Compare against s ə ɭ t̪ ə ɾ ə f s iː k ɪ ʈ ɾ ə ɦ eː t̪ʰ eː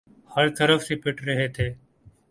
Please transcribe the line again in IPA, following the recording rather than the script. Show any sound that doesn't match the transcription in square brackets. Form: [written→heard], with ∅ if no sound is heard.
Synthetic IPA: [s→h] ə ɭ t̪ ə ɾ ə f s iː [k→p] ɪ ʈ ɾ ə ɦ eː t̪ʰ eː